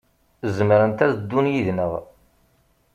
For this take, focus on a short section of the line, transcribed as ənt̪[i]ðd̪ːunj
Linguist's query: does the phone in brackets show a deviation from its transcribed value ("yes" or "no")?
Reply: yes